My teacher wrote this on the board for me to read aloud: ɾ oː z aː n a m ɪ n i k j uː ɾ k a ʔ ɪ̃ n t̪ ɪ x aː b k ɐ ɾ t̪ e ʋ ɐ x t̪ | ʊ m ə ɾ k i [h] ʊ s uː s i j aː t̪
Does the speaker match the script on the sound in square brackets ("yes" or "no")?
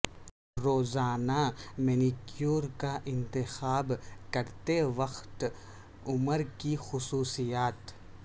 no